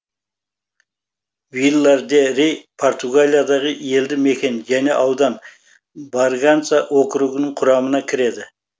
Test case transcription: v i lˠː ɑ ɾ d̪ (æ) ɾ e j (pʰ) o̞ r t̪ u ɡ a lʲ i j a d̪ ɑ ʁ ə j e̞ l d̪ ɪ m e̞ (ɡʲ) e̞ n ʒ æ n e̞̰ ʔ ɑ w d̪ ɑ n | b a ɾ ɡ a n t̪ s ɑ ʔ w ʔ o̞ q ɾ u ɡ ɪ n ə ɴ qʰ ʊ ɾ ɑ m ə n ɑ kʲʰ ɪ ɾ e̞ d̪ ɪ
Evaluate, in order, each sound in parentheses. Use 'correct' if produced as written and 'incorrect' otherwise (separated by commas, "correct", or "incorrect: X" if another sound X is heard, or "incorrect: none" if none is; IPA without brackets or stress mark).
incorrect: e, correct, incorrect: kʲ